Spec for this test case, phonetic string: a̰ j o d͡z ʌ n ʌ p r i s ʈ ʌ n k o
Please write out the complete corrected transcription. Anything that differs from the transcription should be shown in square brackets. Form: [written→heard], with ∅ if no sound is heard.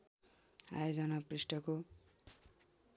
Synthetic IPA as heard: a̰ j o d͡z ʌ n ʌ p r i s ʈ ʌ [n→∅] k o